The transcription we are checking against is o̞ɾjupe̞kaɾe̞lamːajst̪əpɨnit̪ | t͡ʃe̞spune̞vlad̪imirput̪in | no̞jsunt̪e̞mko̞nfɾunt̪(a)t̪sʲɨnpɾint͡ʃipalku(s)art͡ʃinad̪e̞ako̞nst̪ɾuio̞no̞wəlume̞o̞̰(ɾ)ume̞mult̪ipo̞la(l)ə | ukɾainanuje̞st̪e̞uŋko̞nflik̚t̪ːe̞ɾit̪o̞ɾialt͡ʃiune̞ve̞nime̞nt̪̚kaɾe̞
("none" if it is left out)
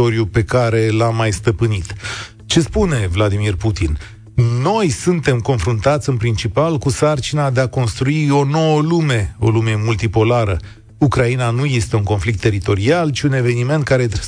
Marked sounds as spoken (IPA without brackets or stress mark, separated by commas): a, s, l, ɾ